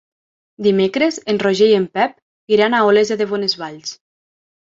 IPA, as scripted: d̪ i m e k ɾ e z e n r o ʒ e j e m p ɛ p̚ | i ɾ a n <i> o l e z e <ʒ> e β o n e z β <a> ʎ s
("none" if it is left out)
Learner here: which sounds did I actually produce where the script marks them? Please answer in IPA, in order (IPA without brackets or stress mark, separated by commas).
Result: a, ð, a